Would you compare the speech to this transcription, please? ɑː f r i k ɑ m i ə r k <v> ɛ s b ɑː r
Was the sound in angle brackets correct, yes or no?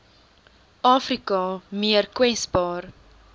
no